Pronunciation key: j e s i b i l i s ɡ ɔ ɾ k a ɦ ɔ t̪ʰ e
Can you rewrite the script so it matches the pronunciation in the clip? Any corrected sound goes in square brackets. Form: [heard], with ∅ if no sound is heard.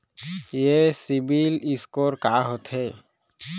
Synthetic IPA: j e s i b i l i s [k] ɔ ɾ k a ɦ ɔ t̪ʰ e